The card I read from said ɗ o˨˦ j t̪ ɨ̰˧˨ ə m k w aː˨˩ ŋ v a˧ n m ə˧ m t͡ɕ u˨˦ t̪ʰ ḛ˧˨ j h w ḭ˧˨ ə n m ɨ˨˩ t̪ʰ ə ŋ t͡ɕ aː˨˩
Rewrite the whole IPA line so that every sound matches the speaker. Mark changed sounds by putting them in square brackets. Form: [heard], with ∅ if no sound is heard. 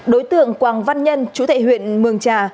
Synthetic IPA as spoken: ɗ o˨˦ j t̪ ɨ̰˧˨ ə [ŋ] k w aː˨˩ ŋ v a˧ n [ɲ] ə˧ [n] t͡ɕ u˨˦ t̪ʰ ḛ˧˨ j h w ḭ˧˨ ə n m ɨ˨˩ [∅] ə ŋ t͡ɕ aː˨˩